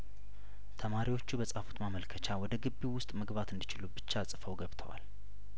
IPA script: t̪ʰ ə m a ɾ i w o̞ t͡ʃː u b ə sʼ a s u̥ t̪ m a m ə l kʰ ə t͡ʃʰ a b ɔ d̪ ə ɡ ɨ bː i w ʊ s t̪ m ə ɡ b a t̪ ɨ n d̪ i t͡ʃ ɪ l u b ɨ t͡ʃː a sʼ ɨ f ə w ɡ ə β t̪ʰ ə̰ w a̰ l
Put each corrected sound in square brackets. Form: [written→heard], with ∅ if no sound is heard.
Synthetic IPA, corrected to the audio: t̪ʰ ə m a ɾ i w o̞ t͡ʃː u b ə sʼ a [s→f] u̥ t̪ m a m ə l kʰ ə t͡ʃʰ a [b→w] ɔ d̪ ə ɡ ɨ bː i w ʊ s [t̪→t̪ʼ] m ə ɡ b a t̪ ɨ n d̪ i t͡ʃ ɪ l u b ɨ t͡ʃː a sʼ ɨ f ə w ɡ ə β t̪ʰ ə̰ w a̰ l